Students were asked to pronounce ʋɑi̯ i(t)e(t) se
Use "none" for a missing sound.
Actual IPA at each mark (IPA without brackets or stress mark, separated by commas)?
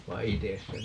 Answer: t, s